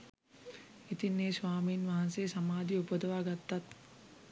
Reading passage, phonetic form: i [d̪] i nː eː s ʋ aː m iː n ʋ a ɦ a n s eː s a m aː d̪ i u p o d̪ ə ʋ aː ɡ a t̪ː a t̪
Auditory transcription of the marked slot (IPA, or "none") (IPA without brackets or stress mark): t̪